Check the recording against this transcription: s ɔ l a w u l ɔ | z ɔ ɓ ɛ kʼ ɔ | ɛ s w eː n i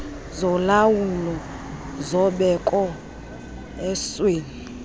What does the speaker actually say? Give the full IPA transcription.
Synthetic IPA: z ɔ l a w u l ɔ | z ɔ ɓ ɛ kʼ ɔ | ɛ s w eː n i